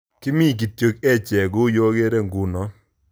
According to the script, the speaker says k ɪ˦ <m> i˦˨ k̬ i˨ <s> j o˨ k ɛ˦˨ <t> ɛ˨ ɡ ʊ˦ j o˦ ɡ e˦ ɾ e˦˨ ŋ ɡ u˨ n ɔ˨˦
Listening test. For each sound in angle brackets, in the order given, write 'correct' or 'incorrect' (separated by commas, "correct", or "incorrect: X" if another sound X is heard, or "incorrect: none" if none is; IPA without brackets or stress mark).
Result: correct, incorrect: t, incorrect: t͡ʃ